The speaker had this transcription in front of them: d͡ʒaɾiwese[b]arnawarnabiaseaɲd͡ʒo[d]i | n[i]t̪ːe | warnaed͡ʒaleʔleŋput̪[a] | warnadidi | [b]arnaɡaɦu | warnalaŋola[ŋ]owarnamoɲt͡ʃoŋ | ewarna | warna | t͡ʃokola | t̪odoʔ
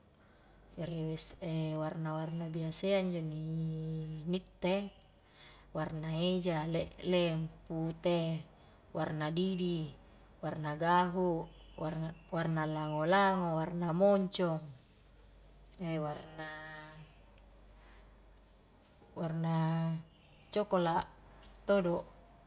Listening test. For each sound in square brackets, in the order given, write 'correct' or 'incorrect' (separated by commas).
incorrect, incorrect, correct, incorrect, incorrect, correct